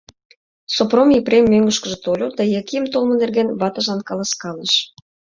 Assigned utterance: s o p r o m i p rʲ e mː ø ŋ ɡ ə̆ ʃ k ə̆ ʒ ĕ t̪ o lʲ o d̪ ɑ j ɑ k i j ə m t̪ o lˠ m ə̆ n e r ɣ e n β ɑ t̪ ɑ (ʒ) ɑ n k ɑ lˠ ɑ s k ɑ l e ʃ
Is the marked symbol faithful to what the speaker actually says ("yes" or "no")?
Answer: yes